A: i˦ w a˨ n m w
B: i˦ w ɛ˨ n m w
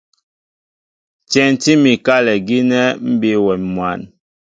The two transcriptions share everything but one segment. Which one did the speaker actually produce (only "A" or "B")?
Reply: B